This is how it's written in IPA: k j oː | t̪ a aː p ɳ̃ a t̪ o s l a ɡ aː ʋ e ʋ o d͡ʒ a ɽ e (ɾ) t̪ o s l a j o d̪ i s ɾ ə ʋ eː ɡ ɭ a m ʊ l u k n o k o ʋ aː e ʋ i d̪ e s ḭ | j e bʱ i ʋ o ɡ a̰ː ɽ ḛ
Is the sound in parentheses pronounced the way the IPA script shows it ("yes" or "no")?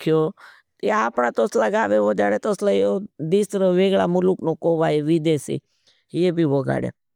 no